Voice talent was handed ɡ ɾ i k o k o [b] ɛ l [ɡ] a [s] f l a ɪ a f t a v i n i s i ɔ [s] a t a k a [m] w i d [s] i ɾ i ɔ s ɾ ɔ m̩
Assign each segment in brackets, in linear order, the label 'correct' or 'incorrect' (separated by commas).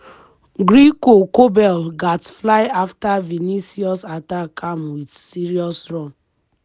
correct, correct, incorrect, correct, correct, correct